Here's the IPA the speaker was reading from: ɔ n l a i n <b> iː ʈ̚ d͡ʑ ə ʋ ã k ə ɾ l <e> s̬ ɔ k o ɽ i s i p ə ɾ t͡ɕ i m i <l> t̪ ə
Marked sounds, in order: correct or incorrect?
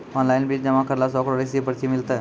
correct, incorrect: a, correct

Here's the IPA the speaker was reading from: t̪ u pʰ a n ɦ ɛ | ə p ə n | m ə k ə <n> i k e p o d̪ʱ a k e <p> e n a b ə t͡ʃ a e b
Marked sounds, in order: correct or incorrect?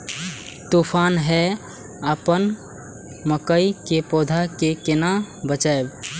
incorrect: none, incorrect: k

